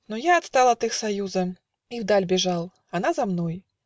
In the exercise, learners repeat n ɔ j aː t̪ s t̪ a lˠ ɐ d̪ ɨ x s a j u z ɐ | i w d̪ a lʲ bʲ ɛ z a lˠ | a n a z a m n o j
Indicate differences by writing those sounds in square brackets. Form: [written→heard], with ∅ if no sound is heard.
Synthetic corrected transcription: n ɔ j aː t̪ s t̪ a lˠ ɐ [d̪→t̪] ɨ x s a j u z ɐ | i w d̪ a lʲ bʲ ɛ [z→ʐ] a lˠ | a n a z a m n [o→ɔ] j

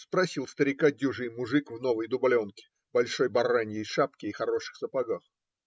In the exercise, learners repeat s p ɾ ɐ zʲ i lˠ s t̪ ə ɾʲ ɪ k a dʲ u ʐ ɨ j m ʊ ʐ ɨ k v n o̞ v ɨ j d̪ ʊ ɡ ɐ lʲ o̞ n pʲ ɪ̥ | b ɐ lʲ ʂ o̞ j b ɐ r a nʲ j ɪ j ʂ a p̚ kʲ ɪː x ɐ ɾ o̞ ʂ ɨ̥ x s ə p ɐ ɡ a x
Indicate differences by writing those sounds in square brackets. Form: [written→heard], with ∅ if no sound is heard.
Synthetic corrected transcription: s p ɾ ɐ [zʲ→sʲ] i lˠ s t̪ ə ɾʲ ɪ k a dʲ u ʐ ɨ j m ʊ ʐ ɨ k v n o̞ v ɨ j d̪ ʊ [ɡ→b] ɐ lʲ o̞ n [pʲ→kʲ] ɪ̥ | b ɐ lʲ ʂ o̞ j b ɐ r a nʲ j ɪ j ʂ a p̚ kʲ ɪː x ɐ ɾ o̞ ʂ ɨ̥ x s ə p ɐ ɡ a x

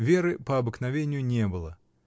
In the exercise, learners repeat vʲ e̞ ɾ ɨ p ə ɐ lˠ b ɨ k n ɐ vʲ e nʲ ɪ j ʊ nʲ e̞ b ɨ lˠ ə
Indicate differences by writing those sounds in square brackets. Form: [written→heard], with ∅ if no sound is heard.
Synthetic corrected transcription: vʲ e̞ ɾ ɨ p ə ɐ [lˠ→∅] b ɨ k n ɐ vʲ e nʲ ɪ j ʊ nʲ e̞ b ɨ lˠ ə

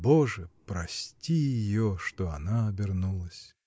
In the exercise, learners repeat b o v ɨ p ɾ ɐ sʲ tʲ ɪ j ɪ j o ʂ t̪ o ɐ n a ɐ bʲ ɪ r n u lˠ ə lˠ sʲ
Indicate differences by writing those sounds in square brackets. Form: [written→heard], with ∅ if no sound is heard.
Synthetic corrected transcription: b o [v→ʐ] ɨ p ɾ ɐ sʲ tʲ [ɪ→i] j ɪ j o ʂ t̪ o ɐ n a ɐ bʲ ɪ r n u lˠ ə [lˠ→∅] sʲ

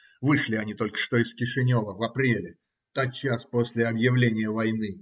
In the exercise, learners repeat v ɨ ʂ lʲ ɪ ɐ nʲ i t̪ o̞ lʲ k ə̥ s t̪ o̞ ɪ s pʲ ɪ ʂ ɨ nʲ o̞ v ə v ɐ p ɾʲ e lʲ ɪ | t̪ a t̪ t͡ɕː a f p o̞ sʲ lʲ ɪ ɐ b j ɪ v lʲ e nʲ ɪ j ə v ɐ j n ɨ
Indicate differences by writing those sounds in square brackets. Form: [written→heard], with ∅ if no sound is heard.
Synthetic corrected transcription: v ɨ ʂ lʲ ɪ ɐ nʲ i t̪ o̞ lʲ k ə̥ [s→ʂ] t̪ o̞ ɪ s [pʲ→kʲ] ɪ ʂ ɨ nʲ o̞ v ə v ɐ p ɾʲ e lʲ ɪ | t̪ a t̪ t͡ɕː a [f→s] p o̞ sʲ lʲ ɪ ɐ b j ɪ v lʲ e nʲ ɪ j ə v ɐ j n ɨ

